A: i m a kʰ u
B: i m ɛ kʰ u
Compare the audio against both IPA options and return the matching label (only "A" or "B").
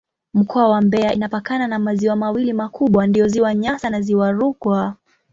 A